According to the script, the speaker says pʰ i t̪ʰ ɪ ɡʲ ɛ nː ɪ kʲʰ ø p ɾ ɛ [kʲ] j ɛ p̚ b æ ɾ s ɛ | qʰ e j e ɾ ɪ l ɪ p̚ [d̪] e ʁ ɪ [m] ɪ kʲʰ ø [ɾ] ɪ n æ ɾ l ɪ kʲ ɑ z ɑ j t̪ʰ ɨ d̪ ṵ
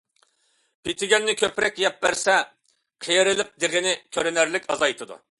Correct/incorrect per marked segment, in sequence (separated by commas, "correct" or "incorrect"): correct, correct, incorrect, correct